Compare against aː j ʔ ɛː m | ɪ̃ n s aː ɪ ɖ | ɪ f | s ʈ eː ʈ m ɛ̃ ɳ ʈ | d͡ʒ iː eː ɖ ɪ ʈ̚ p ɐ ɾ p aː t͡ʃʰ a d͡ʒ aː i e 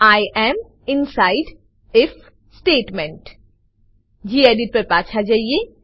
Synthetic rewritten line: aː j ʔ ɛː m | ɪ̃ n s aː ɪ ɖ | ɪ f | s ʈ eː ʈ m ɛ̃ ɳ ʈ | d͡ʒ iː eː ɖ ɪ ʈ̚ p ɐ ɾ p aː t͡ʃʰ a d͡ʒ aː i e